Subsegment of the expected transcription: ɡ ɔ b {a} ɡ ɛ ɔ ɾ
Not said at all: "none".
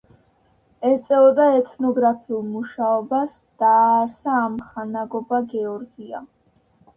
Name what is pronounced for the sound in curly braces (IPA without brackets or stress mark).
a